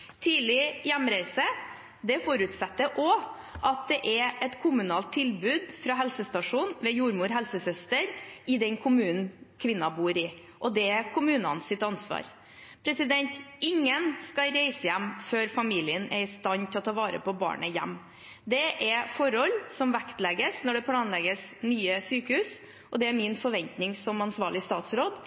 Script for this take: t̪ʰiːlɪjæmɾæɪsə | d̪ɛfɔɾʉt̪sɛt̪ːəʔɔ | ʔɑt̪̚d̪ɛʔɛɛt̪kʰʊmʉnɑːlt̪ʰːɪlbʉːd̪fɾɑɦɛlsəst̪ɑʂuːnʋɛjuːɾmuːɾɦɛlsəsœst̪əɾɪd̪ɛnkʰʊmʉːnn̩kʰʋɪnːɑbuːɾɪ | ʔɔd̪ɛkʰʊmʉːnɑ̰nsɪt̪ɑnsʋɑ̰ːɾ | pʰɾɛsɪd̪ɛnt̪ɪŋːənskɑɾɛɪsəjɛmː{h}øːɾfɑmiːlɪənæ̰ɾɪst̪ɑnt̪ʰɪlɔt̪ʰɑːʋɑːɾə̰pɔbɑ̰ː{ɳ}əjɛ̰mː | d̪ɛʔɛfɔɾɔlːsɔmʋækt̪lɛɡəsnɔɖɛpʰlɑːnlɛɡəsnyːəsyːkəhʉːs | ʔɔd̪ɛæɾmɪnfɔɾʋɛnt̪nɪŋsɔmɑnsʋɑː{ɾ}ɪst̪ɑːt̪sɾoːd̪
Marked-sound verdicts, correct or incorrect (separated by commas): incorrect, correct, incorrect